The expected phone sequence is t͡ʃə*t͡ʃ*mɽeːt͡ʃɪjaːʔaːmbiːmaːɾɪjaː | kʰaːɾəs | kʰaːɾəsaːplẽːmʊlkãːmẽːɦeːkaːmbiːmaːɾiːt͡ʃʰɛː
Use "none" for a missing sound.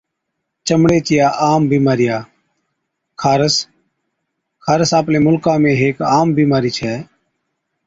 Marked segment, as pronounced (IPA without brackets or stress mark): none